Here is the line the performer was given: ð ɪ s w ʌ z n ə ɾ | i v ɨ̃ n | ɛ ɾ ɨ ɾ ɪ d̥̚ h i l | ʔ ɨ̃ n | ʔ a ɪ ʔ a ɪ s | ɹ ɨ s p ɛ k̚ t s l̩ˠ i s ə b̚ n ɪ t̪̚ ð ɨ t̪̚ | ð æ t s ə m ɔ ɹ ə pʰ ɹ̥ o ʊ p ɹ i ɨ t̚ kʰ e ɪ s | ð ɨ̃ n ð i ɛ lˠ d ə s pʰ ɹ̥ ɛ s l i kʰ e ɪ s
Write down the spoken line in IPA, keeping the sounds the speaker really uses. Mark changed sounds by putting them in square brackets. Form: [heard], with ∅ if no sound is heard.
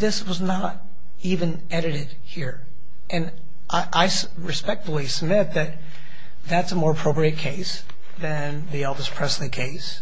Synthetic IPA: ð ɪ s w ʌ z n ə ɾ | i v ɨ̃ n | ɛ ɾ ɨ ɾ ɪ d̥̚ h i [ɹ] | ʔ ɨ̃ n | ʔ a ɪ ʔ a ɪ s | ɹ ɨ s p ɛ k̚ t [f] l̩ˠ i s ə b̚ [m] ɪ t̪̚ ð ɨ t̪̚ | ð æ t s ə m ɔ ɹ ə pʰ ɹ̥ o ʊ p ɹ i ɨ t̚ kʰ e ɪ s | ð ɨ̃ n ð i ɛ lˠ d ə s pʰ ɹ̥ ɛ s l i kʰ e ɪ s